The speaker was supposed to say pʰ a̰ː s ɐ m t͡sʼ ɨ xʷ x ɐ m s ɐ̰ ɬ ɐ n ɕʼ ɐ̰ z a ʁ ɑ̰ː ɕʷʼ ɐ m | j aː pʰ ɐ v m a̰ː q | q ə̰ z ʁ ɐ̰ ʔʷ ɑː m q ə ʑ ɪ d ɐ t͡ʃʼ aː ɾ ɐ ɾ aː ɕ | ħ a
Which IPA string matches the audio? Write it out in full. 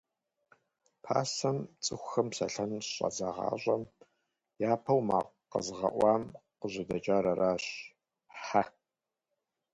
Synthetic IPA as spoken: pʰ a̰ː s ɐ m t͡sʼ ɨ xʷ x ɐ m s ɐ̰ ɬ ɐ n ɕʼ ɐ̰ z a ʁ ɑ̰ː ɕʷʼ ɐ m | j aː pʰ ɐ w m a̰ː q | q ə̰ z ʁ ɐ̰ ʔʷ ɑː m q ə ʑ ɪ d ɐ t͡ʃʼ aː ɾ ɐ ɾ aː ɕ | ħ a